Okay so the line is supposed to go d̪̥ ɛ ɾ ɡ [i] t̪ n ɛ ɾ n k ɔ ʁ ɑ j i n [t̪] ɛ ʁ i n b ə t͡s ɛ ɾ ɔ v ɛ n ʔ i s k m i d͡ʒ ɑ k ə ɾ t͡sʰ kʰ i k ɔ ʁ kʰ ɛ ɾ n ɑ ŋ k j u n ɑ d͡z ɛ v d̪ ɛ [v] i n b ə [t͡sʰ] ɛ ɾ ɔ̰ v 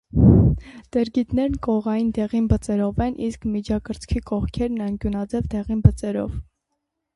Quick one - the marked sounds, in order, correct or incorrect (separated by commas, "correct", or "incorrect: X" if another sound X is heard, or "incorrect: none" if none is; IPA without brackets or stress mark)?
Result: correct, incorrect: d̪, incorrect: ʁ, incorrect: t͡s